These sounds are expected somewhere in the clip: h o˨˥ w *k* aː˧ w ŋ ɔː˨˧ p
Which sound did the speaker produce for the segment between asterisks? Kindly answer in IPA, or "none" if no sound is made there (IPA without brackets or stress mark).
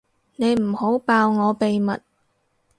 p